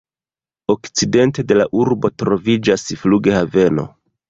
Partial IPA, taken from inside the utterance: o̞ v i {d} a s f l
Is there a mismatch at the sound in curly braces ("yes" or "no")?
yes